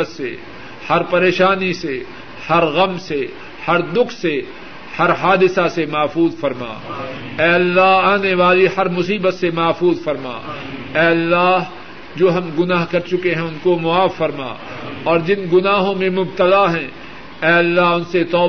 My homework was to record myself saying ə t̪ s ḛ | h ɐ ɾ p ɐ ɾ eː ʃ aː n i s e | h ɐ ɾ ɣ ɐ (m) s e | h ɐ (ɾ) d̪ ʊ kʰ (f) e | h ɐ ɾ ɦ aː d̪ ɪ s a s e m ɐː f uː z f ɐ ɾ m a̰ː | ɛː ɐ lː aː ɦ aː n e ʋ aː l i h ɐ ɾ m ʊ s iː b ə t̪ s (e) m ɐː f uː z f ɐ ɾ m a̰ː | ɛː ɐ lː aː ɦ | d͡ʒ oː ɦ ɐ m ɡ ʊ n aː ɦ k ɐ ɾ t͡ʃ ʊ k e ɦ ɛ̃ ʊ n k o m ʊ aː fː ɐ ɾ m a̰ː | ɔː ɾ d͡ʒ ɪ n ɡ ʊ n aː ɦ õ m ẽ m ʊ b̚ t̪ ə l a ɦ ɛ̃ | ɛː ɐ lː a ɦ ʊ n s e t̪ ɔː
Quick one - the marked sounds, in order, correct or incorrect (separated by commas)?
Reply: correct, correct, incorrect, correct